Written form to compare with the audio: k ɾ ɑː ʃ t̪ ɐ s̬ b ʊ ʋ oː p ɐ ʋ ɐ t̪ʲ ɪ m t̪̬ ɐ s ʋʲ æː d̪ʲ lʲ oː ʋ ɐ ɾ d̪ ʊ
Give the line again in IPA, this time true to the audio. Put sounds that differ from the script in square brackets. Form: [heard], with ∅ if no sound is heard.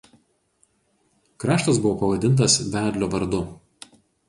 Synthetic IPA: k ɾ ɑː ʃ t̪ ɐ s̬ b ʊ ʋ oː p ɐ ʋ ɐ [d̪ʲ] ɪ [n] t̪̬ ɐ s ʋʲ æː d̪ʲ lʲ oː ʋ ɐ ɾ d̪ ʊ